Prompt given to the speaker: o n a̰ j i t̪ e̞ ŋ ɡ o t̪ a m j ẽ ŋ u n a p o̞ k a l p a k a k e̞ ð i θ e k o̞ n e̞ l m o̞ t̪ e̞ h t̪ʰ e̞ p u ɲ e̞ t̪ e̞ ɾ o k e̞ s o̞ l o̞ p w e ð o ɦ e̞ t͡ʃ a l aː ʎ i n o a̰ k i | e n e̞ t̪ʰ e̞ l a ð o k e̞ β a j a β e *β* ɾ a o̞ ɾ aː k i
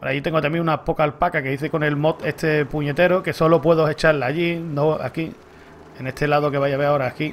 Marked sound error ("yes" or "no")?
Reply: yes